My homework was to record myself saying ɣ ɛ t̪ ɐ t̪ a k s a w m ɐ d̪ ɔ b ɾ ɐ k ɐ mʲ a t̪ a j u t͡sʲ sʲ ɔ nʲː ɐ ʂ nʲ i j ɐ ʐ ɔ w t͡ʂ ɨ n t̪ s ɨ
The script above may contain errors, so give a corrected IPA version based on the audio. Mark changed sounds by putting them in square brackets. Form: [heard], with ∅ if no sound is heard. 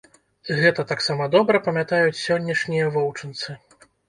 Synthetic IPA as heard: ɣ ɛ t̪ ɐ t̪ a k s a [∅] m ɐ d̪ ɔ b ɾ ɐ [p] ɐ mʲ a t̪ a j u t͡sʲ sʲ ɔ nʲː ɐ ʂ nʲ i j ɐ [v] ɔ w t͡ʂ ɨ n t̪ s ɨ